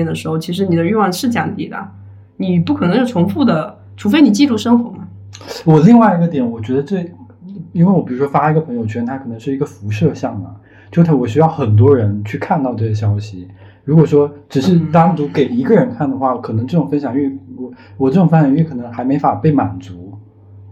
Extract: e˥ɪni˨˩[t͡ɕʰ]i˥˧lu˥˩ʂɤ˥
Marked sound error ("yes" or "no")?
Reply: yes